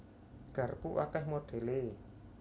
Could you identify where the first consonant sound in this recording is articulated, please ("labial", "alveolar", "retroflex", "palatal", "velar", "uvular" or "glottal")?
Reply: velar